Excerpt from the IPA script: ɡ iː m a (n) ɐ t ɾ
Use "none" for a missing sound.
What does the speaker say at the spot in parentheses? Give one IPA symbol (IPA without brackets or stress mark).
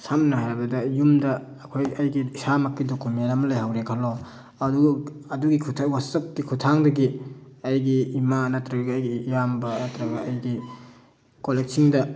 n